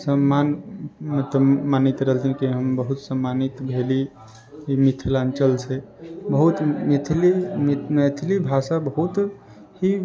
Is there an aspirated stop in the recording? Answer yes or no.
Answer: yes